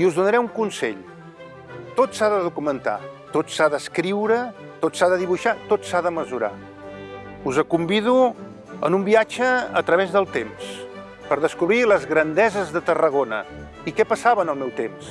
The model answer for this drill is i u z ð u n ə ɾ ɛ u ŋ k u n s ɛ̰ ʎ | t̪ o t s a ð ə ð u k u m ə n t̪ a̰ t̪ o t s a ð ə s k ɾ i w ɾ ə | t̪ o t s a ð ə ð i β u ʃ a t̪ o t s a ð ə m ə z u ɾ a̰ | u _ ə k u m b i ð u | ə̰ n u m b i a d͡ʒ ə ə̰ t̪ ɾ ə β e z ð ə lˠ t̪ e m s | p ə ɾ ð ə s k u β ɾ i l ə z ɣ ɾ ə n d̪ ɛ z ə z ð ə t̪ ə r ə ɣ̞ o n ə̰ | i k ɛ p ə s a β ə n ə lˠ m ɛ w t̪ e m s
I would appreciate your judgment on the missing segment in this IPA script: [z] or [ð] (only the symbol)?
z